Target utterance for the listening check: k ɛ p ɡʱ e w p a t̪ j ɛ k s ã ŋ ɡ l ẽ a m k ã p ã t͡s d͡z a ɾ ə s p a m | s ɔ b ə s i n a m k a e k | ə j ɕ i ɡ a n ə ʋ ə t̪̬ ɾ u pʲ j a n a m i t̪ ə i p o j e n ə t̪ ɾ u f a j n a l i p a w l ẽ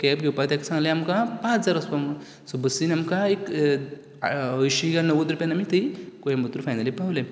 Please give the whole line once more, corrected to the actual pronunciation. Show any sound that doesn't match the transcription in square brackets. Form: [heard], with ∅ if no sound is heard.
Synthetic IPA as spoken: k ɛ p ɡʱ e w p a t̪ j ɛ k s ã ŋ ɡ l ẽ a m k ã p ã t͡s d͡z a ɾ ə s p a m | s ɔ b ə s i n a m k a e k | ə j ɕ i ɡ a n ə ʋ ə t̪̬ ɾ u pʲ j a n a m i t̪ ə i [k] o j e [m] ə t̪ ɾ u f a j n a l i p a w l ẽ